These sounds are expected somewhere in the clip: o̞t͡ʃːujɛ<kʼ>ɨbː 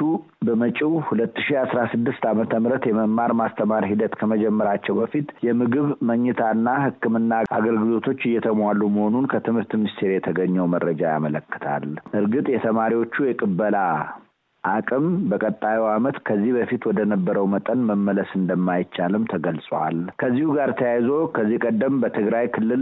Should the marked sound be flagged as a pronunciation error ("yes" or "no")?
no